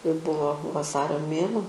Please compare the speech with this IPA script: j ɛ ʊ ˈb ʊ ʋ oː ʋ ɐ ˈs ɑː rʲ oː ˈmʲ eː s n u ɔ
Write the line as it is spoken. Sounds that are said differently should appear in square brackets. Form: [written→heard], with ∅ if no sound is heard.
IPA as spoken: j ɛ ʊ ˈb ʊ ʋ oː ʋ ɐ ˈs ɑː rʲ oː ˈmʲ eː [s→∅] n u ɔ